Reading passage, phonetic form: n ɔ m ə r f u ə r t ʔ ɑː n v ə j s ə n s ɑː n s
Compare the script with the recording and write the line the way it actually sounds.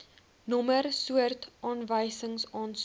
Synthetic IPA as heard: n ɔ m ə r s u ə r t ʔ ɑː n v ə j s ə ŋ s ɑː n s